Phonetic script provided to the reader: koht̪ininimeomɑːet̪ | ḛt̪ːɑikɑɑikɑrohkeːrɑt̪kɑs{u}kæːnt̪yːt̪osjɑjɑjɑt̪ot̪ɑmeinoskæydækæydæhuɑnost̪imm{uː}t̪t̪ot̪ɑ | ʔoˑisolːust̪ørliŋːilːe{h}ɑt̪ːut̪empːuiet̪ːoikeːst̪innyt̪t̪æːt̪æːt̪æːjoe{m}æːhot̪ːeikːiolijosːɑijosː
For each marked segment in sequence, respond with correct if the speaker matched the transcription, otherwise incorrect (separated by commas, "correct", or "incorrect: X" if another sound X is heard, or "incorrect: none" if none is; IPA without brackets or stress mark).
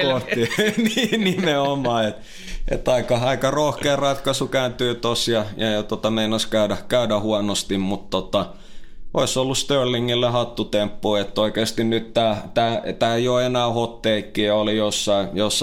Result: correct, incorrect: u, correct, incorrect: n